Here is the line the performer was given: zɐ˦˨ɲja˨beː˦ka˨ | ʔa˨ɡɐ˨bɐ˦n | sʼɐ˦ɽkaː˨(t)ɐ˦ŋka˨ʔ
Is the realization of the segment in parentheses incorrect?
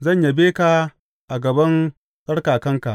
yes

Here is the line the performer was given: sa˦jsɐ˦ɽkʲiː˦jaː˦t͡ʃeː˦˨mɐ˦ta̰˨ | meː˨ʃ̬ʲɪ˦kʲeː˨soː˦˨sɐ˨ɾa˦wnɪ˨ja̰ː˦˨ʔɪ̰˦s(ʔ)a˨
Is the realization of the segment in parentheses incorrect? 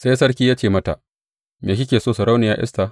yes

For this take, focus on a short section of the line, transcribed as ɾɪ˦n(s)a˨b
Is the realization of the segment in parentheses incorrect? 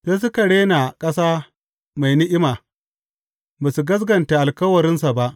no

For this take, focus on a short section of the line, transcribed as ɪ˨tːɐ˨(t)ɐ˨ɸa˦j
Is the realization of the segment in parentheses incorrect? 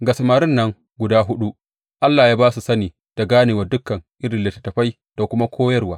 no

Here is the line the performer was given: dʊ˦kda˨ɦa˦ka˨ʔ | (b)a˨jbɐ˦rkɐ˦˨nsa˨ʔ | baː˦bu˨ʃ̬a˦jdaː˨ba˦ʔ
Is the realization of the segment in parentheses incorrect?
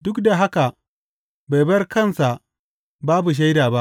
no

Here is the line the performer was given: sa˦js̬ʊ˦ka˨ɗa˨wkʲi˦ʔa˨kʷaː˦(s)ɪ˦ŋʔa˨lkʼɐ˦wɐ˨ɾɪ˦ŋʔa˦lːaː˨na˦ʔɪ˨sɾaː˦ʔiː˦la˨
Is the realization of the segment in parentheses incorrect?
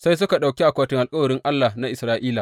yes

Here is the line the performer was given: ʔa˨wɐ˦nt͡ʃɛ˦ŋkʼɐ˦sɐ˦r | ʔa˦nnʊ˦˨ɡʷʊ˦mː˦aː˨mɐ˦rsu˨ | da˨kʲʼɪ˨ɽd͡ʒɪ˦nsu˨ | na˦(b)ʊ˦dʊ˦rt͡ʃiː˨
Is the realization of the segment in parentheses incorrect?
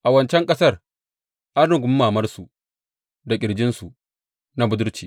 no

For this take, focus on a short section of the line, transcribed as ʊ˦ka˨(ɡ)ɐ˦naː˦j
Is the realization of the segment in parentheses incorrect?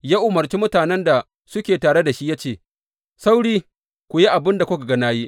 no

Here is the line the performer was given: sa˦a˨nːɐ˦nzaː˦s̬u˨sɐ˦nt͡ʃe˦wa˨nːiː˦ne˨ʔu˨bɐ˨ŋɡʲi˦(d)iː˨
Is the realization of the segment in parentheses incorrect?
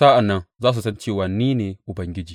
yes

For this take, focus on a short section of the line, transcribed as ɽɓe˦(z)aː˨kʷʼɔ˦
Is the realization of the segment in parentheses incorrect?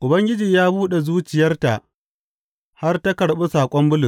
yes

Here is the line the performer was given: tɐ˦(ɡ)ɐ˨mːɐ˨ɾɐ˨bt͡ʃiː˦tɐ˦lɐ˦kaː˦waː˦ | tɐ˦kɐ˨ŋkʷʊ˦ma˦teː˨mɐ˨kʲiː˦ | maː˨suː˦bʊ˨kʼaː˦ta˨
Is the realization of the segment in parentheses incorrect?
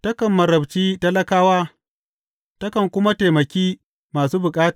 yes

